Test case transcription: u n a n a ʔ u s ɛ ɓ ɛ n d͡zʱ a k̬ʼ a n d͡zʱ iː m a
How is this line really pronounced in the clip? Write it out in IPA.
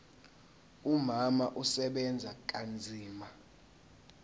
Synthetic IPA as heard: u m a m a ʔ u s ɛ ɓ ɛ n d͡zʱ a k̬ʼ a n d͡zʱ iː m a